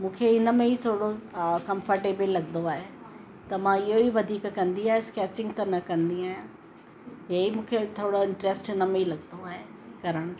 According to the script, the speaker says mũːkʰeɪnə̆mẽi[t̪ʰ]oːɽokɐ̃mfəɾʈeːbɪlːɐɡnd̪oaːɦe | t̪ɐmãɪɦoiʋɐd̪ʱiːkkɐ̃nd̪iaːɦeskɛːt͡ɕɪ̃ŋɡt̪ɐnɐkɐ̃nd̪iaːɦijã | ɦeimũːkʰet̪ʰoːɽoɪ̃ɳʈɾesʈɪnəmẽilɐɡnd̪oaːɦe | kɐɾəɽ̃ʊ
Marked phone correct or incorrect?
correct